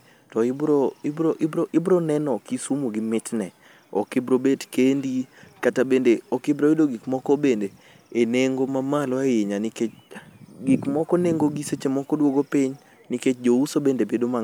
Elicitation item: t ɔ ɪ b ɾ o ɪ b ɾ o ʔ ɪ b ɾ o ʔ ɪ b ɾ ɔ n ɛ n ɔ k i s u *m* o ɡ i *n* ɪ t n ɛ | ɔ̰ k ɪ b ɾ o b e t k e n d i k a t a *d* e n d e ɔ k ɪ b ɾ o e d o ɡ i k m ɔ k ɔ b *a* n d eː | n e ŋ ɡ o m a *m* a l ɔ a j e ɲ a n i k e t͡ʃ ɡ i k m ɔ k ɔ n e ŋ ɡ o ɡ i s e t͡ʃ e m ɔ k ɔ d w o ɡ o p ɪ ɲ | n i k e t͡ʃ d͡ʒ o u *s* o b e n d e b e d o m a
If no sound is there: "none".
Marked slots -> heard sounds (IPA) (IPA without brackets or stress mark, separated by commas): m, m, b, e, m, s